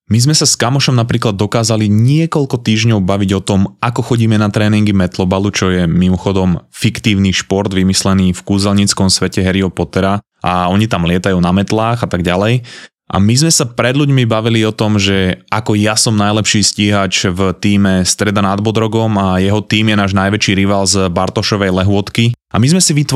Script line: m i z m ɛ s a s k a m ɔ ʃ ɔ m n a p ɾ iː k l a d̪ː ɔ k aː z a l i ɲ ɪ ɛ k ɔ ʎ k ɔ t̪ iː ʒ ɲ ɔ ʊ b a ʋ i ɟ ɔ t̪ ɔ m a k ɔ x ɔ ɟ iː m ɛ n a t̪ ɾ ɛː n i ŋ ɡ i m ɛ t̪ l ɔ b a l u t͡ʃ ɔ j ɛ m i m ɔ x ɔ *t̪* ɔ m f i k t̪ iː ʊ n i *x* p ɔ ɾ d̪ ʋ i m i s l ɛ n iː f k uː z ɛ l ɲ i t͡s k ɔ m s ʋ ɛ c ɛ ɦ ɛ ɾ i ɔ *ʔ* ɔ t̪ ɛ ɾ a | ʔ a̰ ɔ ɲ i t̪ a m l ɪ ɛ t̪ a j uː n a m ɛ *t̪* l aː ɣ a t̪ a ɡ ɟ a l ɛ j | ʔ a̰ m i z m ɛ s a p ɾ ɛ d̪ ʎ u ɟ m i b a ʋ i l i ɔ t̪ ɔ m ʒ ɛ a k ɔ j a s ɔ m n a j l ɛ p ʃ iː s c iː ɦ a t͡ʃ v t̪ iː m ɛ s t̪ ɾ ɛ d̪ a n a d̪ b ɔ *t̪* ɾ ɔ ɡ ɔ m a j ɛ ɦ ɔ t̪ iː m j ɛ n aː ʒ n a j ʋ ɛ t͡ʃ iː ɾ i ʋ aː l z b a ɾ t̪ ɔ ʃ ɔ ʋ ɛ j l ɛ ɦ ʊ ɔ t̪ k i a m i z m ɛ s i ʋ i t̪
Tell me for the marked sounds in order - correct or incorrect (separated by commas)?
incorrect, incorrect, incorrect, correct, incorrect